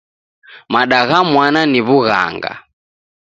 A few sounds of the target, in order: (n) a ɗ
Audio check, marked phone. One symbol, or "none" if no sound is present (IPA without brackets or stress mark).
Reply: m